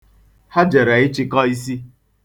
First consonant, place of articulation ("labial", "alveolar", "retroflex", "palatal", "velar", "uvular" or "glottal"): glottal